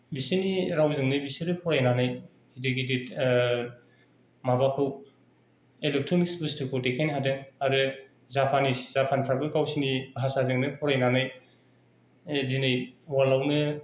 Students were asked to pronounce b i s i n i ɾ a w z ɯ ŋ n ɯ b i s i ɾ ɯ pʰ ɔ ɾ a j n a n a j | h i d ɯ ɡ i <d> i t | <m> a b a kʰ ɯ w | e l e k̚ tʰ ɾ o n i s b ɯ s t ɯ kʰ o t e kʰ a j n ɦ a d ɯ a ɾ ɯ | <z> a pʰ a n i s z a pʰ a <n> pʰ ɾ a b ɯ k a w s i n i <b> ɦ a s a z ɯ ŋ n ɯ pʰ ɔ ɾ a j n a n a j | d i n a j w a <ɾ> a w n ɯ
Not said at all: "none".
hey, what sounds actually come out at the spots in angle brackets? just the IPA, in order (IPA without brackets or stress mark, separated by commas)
d, m, z, n, b, l